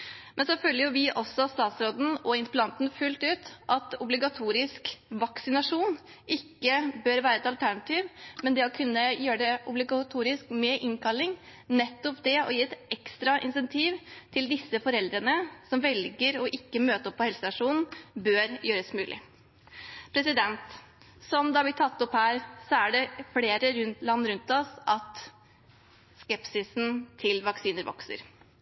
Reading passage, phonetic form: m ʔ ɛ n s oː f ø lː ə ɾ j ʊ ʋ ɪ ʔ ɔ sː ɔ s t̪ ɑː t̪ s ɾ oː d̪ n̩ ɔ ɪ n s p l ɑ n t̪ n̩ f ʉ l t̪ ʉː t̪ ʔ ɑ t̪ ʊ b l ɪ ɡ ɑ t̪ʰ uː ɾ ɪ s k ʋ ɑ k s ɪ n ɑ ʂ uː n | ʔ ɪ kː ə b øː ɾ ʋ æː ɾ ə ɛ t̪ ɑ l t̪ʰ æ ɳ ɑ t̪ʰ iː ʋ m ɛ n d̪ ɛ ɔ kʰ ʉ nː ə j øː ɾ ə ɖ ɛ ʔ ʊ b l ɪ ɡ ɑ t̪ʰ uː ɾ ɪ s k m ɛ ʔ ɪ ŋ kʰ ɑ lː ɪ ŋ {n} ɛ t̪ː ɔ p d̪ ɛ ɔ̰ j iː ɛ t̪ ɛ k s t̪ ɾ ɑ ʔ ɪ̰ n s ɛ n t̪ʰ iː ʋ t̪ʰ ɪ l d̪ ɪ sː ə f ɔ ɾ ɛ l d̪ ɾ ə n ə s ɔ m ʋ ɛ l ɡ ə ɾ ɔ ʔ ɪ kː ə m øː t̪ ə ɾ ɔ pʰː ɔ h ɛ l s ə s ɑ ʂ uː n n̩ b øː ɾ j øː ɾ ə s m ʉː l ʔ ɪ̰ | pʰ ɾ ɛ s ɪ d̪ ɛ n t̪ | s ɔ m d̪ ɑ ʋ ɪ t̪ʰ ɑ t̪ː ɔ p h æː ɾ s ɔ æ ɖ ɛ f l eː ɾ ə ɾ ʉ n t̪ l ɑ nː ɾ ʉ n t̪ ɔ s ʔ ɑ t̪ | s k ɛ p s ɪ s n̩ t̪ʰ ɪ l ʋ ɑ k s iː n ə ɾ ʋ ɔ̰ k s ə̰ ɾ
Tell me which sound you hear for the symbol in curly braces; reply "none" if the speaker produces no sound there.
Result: n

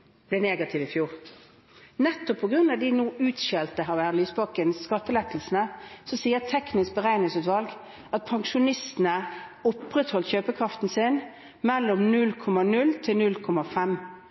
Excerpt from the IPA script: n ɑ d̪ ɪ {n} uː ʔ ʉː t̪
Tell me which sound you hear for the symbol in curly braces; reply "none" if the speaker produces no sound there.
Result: n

